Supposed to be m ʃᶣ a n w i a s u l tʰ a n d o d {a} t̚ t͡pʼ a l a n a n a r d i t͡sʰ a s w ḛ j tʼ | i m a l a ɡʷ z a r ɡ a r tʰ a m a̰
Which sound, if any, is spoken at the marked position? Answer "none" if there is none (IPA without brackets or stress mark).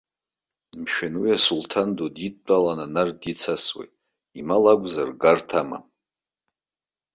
i